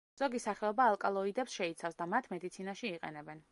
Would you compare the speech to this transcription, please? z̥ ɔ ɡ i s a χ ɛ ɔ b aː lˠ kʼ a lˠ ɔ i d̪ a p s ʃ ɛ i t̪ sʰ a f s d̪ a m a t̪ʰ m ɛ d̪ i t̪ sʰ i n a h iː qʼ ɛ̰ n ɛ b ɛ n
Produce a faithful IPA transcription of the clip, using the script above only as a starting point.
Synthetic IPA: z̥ ɔ ɡ i s a χ ɛ ɔ b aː lˠ kʼ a lˠ ɔ i d̪ ɛ p s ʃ ɛ i t̪ sʰ a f s d̪ a m a t̪ʰ m ɛ d̪ i t̪ sʰ i n a ʃ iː qʼ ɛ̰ n ɛ b ɛ n